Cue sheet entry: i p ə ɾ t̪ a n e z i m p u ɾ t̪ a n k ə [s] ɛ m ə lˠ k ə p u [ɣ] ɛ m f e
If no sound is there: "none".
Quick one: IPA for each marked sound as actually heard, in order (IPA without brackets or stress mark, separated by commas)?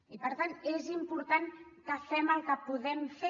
f, ð